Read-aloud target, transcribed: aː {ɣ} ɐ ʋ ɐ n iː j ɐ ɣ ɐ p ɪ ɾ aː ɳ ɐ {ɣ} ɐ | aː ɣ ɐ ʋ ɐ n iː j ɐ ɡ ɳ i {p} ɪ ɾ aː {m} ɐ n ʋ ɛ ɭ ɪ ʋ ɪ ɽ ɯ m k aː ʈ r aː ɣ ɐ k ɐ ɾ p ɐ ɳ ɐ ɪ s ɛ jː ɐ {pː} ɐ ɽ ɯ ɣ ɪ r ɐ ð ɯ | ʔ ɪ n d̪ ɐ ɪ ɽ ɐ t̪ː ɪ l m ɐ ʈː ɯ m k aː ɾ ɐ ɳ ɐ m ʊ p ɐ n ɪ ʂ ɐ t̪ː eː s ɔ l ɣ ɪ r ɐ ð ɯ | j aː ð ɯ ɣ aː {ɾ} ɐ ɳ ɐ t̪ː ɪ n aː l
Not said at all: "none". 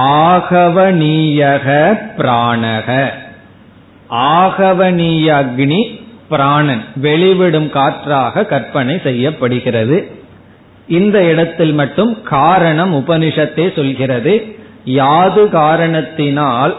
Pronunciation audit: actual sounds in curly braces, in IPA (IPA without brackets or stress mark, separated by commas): ɣ, ɣ, p, ɳ, pː, ɾ